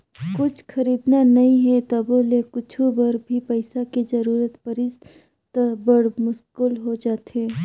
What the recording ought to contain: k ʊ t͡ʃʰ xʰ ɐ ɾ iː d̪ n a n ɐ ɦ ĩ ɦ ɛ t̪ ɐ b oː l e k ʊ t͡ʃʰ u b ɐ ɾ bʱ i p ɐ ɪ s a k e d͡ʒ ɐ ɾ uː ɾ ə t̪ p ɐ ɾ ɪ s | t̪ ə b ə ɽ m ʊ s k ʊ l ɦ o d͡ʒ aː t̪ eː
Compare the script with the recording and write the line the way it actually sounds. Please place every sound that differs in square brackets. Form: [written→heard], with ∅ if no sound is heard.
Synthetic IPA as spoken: k ʊ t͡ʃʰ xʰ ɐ ɾ iː d̪ n a n ɐ ɦ ĩ ɦ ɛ t̪ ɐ b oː l e k ʊ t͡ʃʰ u b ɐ ɾ bʱ i p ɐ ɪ s a k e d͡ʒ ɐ ɾ uː ɾ ə t̪ p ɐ ɾ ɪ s | t̪ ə b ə ɽ m ʊ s k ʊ l ɦ o d͡ʒ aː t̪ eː